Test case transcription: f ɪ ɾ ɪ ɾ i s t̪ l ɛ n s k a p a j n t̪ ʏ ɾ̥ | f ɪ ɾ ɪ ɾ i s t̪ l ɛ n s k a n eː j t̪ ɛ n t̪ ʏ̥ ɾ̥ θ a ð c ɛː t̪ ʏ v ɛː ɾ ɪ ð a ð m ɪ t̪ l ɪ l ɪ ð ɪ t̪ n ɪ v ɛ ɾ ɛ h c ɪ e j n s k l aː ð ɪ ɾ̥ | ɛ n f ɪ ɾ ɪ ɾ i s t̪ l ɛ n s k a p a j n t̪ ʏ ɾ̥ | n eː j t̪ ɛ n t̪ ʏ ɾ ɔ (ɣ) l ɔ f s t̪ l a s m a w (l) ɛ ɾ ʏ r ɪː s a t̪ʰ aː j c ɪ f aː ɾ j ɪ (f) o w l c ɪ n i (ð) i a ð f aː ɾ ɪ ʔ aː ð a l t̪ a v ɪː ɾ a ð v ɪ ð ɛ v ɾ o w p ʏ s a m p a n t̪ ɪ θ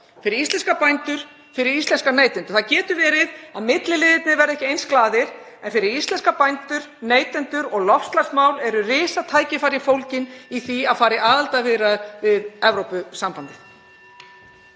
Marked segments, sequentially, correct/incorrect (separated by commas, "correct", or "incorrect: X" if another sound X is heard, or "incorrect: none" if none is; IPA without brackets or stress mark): correct, correct, correct, incorrect: θ